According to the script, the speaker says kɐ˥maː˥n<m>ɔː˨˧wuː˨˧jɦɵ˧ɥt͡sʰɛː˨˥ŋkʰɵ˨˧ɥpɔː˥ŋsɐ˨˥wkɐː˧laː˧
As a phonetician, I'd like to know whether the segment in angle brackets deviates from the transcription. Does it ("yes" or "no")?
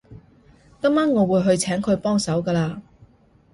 yes